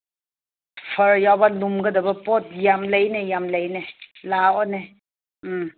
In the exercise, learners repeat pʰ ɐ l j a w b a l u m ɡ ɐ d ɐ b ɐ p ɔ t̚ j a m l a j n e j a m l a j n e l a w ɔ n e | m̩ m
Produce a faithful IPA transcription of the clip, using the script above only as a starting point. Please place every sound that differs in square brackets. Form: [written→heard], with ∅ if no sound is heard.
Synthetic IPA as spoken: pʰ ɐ [l→ɾ] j a w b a l u m ɡ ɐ d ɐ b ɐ p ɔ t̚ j a m l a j n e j a m l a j n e l a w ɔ n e | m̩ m